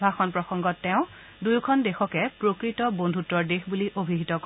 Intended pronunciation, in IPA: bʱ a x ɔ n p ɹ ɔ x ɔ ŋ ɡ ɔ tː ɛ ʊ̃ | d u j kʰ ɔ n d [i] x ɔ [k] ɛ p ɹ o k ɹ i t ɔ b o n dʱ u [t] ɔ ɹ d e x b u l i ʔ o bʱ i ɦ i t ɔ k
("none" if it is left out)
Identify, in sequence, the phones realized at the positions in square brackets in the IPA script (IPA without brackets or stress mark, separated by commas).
e, k, t